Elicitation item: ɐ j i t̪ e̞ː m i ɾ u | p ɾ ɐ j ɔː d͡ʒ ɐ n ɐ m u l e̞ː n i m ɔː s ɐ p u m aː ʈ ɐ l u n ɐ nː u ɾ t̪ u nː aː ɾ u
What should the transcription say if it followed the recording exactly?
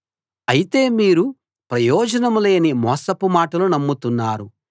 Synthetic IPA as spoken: ɐ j i t̪ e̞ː m iː ɾ u | p ɾ ɐ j ɔː d͡ʒ ɐ n ɐ m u l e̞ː n i m ɔː s ɐ p u m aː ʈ ɐ l u n ɐ mː u t̪ u nː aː ɾ u

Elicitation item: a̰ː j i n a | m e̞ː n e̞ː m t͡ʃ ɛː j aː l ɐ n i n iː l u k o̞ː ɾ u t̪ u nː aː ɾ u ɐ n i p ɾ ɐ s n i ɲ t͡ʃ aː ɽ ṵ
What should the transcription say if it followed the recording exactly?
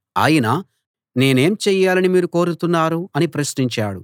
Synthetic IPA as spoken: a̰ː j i n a | n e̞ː n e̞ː m t͡ʃ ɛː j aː l ɐ n i m iː ɾ u k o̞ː ɾ u t̪ u nː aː ɾ u ɐ n i p ɾ ɐ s n i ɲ t͡ʃ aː ɽ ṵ

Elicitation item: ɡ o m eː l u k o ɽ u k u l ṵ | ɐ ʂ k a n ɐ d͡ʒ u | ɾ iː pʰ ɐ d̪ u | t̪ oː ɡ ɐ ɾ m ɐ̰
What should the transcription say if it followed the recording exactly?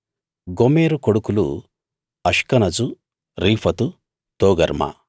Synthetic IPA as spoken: ɡ o m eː ɾ u k o ɽ u k u l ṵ | ɐ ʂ k ɐ n ɐ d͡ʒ u | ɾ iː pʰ ɐ t̪ u | t̪ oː ɡ ɐ ɾ m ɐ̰

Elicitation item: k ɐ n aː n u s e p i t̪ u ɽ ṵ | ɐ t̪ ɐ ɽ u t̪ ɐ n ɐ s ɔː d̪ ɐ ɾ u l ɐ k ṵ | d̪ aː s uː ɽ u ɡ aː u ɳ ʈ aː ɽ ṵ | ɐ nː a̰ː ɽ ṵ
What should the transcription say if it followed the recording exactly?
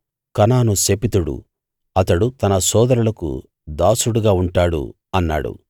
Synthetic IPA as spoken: k ɐ n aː n u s e p i t̪ u ɽ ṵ | ɐ t̪ ɐ ɽ u t̪ ɐ n ɐ s ɔː d̪ ɐ ɾ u l ɐ k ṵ | d̪ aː s u ɽ u ɡ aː u ɳ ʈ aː ɽ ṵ | ɐ nː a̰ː ɽ ṵ

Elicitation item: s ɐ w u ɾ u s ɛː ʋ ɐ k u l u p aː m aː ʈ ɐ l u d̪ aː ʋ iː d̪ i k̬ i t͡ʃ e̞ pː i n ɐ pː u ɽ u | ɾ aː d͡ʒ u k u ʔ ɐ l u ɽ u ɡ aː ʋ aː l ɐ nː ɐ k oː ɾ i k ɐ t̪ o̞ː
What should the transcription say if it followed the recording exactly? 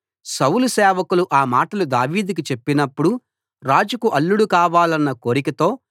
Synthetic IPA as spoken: s ɐ w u l u s ɛː ʋ ɐ k u l u ʔ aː m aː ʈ ɐ l u d̪ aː ʋ iː d̪ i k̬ i t͡ʃ e̞ pː i n ɐ pː u ɽ u | ɾ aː d͡ʒ u k u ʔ ɐ lː u ɽ u k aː ʋ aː l ɐ nː ɐ k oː ɾ i k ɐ t̪ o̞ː

